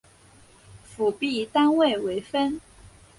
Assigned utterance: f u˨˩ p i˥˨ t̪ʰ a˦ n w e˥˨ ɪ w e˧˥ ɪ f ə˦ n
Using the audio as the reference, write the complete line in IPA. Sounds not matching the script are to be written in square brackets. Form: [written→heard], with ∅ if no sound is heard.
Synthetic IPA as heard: f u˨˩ p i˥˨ [t̪ʰ→t̪] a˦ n w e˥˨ ɪ w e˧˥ ɪ f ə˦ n